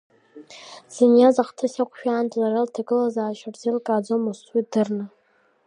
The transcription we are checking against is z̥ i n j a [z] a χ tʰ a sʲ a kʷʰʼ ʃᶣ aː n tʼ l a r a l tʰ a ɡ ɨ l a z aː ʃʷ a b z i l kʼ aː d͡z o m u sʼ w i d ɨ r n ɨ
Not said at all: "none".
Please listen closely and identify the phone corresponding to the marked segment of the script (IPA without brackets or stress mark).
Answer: z